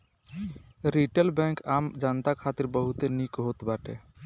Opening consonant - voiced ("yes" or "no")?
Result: yes